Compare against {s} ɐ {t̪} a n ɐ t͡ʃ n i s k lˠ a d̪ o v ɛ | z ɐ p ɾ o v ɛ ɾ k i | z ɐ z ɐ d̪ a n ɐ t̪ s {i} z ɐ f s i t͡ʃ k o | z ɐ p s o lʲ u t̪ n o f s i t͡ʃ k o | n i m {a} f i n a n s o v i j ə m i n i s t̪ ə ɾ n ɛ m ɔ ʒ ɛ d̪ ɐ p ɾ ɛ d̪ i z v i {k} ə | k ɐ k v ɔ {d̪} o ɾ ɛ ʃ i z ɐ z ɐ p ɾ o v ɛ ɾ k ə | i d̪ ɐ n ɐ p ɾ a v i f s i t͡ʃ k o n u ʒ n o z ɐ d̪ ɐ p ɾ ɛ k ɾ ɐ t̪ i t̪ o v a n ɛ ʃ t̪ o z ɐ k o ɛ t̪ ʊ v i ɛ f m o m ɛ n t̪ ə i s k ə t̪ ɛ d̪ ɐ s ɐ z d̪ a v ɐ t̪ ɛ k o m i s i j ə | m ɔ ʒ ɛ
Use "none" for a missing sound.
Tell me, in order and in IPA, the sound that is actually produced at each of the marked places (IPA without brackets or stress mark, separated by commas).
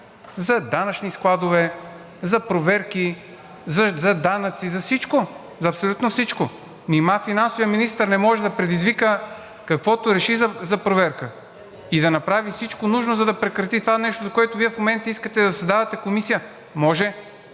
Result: z, d̪, i, a, k, t̪